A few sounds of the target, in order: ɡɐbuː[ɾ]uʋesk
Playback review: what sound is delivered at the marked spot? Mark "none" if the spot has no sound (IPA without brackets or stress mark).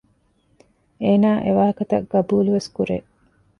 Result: l